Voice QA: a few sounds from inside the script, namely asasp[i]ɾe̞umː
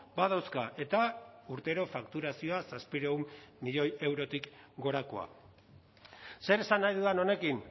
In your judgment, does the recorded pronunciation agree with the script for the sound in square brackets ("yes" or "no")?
yes